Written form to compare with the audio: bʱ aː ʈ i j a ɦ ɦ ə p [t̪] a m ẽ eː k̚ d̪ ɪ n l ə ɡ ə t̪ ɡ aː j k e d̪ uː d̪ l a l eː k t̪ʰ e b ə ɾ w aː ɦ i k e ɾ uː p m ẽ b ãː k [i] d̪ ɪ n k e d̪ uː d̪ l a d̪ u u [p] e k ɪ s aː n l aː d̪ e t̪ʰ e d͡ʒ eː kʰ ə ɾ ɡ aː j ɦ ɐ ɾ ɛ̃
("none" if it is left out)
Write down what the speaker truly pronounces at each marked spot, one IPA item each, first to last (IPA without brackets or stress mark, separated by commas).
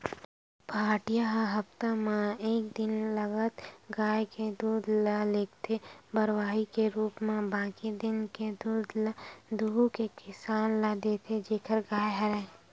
t̪, i, k